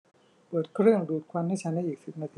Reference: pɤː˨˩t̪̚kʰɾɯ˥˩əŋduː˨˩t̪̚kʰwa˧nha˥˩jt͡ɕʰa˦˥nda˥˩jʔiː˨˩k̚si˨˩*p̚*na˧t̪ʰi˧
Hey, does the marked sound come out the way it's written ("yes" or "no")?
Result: yes